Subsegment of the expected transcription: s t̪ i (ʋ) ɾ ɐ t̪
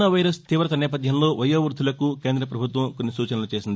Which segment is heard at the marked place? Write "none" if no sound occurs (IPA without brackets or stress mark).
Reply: ʋ